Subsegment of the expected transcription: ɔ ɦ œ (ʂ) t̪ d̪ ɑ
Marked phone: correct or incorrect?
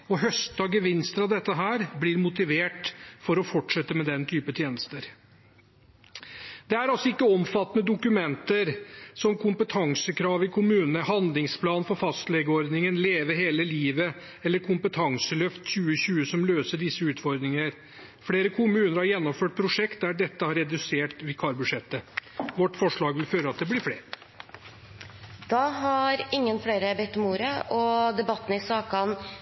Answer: incorrect